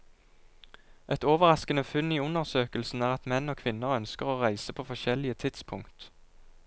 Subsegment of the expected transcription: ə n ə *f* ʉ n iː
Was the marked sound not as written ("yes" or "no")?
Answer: no